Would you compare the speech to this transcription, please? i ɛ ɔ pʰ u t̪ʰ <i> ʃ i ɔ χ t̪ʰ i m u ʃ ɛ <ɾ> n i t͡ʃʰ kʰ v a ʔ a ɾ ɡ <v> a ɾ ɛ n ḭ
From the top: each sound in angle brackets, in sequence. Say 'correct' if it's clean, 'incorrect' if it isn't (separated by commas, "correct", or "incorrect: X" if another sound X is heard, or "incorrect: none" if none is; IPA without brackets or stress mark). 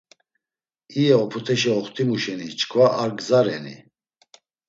incorrect: ɛ, incorrect: none, incorrect: z